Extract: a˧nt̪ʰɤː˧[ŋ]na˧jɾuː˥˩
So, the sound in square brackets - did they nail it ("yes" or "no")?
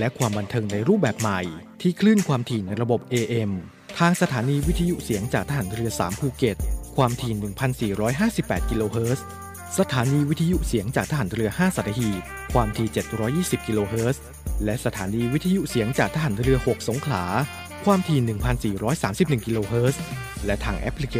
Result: yes